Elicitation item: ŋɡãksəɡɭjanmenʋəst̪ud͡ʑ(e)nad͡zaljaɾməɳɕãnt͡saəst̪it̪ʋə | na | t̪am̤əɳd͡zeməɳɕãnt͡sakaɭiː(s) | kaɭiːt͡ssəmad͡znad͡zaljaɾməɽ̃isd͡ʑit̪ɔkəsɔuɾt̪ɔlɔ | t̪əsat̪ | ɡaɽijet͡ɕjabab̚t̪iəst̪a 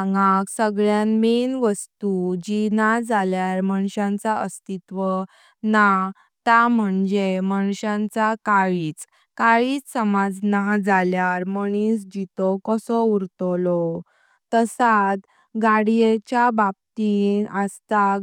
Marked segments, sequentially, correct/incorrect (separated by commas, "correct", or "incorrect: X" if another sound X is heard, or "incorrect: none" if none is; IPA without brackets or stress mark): incorrect: i, incorrect: t͡s